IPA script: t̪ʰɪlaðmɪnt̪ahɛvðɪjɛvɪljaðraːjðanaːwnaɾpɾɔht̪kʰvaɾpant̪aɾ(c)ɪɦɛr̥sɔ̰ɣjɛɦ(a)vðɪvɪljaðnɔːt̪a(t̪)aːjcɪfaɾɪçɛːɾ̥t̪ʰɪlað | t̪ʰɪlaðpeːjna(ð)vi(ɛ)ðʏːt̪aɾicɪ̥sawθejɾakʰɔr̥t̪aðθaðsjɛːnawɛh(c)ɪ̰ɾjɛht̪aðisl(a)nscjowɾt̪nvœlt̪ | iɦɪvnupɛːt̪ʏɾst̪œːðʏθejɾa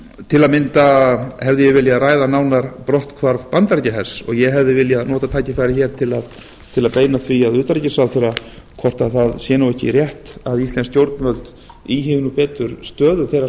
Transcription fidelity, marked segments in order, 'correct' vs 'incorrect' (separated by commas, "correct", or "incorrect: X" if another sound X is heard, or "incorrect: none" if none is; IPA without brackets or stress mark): correct, incorrect: ɛ, incorrect: t̪ʰ, incorrect: θ, incorrect: a, correct, incorrect: ɛ